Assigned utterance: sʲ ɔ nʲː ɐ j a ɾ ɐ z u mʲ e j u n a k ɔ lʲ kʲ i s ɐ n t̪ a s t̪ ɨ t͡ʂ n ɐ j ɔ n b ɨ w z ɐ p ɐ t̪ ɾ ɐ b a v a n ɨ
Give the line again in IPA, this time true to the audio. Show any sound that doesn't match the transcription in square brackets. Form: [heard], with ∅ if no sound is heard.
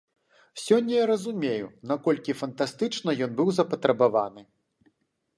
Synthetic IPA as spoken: sʲ ɔ nʲː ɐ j a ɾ ɐ z u mʲ e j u n a k ɔ lʲ kʲ i [f] ɐ n t̪ a s t̪ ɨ t͡ʂ n ɐ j ɔ n b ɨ w z ɐ p ɐ t̪ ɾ ɐ b a v a n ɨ